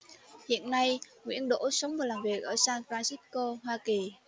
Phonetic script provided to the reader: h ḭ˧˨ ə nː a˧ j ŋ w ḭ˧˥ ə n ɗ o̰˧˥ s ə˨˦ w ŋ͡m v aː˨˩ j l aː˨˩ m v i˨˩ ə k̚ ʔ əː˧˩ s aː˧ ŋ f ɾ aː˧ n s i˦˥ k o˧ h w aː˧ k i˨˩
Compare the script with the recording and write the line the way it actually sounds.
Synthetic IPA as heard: h ḭ˧˨ ə nː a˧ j ŋ w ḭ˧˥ ə n ɗ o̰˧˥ s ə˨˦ w ŋ͡m v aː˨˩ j l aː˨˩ m v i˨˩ ə k̚ ʔ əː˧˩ s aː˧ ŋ f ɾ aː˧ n s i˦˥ k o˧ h w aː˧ k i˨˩